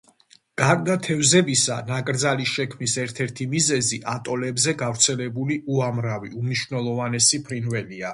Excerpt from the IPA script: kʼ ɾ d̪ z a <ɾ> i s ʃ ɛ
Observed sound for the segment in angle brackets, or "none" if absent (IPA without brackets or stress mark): l